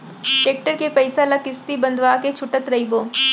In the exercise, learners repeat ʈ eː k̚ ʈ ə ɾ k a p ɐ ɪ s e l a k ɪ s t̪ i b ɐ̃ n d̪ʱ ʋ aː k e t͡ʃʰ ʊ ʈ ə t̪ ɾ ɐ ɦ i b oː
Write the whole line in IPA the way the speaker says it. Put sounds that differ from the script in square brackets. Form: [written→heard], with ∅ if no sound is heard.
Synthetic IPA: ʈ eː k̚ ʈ ə ɾ k [a→e] p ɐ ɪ s [e→a] l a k ɪ s t̪ i b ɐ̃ n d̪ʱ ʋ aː k e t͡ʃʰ ʊ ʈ ə t̪ ɾ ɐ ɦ i b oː